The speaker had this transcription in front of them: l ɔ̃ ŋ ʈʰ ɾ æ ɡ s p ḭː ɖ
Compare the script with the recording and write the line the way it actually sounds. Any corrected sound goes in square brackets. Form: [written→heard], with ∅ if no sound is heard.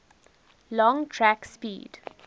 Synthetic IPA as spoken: l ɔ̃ ŋ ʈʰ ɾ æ [ɡ→k] s p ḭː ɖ